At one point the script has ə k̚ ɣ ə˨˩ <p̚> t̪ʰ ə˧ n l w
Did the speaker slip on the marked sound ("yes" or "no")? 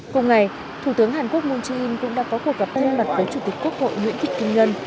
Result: no